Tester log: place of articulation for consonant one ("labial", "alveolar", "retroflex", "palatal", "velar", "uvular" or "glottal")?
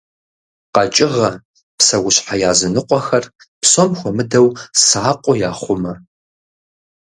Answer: uvular